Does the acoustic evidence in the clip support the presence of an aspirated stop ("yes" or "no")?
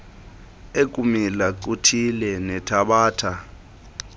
yes